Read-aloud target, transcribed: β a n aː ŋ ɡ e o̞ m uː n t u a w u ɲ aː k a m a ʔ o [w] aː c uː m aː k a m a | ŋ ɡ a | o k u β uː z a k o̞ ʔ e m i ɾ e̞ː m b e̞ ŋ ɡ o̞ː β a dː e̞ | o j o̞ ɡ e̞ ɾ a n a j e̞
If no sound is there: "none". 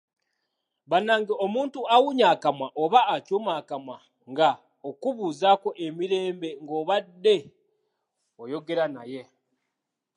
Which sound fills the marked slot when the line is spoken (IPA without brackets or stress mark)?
β